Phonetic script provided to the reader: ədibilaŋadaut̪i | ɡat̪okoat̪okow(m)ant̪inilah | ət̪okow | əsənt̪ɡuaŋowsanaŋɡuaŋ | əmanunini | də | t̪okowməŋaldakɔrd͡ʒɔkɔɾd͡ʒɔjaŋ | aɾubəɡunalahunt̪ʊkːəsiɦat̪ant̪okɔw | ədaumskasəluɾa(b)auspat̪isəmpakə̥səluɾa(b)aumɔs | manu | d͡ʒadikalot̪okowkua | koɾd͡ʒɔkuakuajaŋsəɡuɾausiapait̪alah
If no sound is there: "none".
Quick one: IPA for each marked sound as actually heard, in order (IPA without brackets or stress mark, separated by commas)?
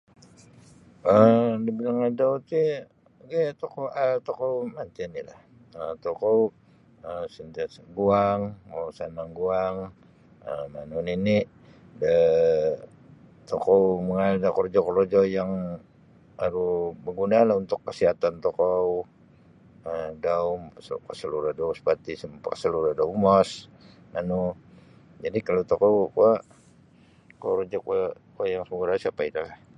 m, d, d